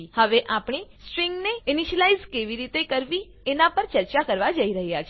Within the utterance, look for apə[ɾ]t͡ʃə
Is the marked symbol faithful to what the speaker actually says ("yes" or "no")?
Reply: yes